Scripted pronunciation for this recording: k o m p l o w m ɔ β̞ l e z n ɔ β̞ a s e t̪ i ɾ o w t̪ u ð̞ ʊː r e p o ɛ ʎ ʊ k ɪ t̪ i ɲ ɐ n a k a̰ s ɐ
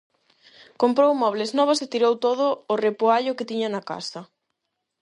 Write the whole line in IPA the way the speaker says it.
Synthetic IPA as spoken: k o m p ɾ o w m ɔ β̞ l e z n ɔ β̞ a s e t̪ i ɾ o w t̪ o ð̞ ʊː r e p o a ʎ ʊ k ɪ t̪ i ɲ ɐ n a k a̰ s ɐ